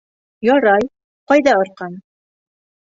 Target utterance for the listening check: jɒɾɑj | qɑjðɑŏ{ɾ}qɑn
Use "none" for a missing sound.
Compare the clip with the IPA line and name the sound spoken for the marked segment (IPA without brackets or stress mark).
ɾ